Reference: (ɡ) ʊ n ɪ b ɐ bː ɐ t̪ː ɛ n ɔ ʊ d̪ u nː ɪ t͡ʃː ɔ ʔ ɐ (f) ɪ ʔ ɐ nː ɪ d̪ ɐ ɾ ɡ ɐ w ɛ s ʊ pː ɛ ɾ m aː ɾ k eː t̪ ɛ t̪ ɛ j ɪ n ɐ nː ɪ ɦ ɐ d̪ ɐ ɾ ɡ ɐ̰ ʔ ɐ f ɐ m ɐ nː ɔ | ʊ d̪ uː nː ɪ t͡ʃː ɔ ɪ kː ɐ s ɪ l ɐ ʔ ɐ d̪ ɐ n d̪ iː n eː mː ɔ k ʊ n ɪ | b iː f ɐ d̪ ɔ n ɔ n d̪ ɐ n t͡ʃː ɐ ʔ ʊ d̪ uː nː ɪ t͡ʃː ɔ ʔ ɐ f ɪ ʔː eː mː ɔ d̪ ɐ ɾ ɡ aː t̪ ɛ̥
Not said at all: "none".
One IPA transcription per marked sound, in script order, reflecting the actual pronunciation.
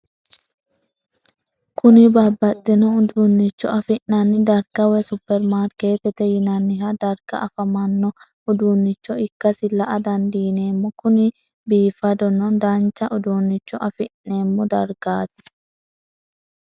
k, f

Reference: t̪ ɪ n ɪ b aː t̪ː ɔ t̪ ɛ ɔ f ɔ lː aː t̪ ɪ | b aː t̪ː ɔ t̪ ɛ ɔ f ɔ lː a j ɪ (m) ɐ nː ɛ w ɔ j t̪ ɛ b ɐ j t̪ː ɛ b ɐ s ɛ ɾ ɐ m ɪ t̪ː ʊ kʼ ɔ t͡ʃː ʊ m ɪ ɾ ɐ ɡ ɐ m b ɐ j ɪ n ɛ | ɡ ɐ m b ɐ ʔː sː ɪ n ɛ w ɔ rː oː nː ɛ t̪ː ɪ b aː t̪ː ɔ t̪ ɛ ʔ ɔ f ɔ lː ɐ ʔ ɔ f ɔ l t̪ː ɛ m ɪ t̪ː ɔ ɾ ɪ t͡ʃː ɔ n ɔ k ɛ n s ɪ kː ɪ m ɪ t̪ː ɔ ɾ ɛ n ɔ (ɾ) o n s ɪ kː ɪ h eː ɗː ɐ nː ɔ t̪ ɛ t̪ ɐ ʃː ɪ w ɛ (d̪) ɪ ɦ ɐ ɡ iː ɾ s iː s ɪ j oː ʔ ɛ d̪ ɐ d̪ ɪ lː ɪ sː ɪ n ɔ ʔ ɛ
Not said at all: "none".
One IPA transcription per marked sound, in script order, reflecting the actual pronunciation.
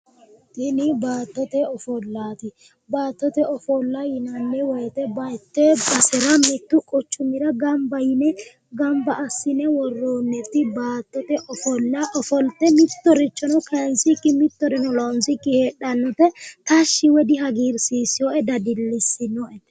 n, l, d̪

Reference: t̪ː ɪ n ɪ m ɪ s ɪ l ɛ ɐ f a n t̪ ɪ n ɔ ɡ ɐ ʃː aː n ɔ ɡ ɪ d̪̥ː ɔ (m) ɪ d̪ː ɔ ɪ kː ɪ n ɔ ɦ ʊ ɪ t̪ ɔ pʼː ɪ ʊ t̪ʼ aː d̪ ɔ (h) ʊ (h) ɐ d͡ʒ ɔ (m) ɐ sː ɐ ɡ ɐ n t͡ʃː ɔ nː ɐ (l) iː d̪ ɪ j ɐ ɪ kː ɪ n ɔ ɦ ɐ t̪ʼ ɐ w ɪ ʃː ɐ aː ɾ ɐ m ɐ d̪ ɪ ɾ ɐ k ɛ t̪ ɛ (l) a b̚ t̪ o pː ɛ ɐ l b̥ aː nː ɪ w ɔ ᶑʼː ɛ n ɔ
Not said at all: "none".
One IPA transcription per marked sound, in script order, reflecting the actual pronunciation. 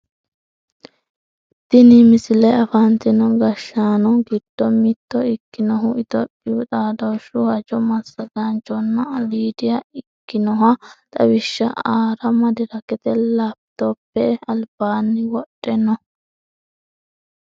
m, ʃ, h, m, l, l

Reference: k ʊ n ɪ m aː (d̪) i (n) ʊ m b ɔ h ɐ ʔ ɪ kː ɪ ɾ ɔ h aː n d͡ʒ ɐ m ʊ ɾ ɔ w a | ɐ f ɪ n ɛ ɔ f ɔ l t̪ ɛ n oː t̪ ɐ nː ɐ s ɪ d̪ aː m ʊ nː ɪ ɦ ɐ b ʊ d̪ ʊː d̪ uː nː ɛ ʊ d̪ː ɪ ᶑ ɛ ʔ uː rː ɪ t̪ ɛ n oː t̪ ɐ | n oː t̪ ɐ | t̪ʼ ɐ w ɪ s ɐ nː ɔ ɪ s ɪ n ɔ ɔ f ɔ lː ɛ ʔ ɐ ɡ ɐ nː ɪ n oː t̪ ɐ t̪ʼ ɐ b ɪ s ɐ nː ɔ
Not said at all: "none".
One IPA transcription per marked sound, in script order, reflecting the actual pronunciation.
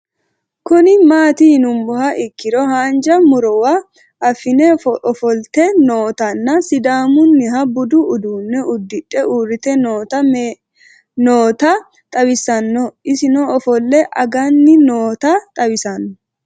t̪, n

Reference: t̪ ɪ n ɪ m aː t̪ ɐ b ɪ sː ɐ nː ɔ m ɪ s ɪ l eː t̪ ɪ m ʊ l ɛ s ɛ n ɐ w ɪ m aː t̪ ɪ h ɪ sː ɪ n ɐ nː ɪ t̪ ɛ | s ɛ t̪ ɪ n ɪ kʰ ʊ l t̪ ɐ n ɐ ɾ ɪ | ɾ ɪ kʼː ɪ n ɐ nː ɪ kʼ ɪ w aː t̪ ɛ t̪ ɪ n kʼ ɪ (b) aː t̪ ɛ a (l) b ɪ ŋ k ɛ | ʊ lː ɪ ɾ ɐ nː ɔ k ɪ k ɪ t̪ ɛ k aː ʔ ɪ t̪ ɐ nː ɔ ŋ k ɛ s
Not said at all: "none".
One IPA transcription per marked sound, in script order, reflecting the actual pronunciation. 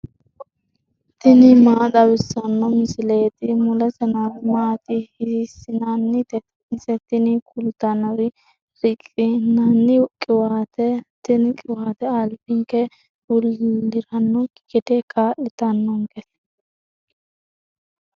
w, l

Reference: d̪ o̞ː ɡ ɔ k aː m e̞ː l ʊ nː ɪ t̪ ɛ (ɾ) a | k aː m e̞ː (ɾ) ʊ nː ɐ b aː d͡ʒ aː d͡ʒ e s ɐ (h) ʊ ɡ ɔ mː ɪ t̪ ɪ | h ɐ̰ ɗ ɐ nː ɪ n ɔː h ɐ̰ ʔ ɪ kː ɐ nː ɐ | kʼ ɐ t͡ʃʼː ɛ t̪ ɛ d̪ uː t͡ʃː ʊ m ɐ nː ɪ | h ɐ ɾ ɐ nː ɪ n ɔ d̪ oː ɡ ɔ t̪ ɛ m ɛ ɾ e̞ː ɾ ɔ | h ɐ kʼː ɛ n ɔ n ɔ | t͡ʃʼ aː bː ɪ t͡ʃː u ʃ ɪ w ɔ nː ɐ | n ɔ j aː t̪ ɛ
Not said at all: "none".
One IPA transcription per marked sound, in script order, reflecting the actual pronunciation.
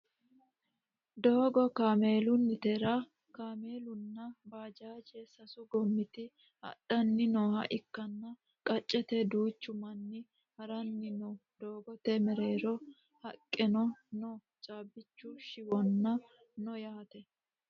ɾ, l, s

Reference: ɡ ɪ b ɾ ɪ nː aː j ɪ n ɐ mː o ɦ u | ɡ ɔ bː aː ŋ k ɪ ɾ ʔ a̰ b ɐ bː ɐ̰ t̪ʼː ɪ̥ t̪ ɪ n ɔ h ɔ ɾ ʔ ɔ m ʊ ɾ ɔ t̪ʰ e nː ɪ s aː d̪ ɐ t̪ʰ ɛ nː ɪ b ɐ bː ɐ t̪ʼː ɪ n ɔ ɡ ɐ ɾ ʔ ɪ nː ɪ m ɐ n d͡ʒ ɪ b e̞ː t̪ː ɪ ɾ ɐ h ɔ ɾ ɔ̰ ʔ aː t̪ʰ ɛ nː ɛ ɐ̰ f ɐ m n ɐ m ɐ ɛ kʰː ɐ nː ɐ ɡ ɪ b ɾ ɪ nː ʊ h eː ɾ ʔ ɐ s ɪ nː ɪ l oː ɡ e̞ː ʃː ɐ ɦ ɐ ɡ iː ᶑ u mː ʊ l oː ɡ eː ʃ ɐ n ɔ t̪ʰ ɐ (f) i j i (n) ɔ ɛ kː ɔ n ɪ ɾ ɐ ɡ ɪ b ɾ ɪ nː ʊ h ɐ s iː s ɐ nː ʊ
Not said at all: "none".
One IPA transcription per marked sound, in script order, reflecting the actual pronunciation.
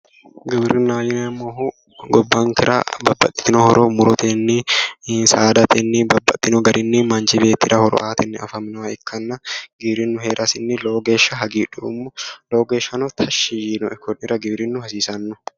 ʃ, n

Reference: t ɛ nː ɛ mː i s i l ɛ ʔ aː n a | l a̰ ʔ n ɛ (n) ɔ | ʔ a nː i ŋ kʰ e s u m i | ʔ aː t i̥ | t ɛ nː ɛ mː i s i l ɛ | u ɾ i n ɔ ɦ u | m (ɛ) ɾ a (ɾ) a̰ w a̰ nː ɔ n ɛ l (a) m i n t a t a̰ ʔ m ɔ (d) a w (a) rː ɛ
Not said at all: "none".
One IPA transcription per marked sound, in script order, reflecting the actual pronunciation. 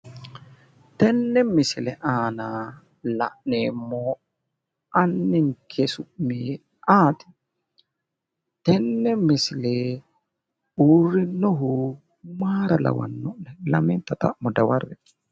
m, a, l, a, d, a

